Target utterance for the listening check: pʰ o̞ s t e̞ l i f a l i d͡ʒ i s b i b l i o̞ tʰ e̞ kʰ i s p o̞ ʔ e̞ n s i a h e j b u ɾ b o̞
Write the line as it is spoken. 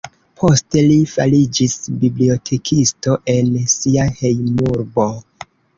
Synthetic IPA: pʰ o̞ s t e̞ l i f a l i d͡ʒ i s b i b l i o̞ tʰ e̞ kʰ i s t o̞ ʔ e̞ n s i a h e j m u ɾ b o̞